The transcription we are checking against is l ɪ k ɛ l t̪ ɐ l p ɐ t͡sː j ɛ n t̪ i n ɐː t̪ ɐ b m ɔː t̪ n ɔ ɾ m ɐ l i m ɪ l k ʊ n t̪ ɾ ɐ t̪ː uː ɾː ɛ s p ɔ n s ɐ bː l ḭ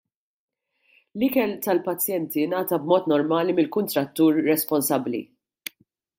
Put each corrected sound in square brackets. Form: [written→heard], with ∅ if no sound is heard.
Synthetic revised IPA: l ɪ k ɛ l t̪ ɐ l p ɐ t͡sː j ɛ n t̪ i n ɐː t̪ ɐ b m ɔː t̪ n ɔ ɾ m [ɐ→ɐː] l i m ɪ l k ʊ n t̪ ɾ ɐ t̪ː uː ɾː ɛ s p ɔ n s ɐ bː l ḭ